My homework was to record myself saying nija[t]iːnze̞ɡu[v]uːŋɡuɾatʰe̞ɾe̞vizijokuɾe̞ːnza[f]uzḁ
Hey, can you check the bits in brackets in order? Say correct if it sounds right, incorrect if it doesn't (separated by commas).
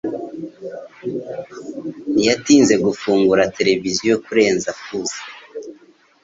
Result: correct, incorrect, correct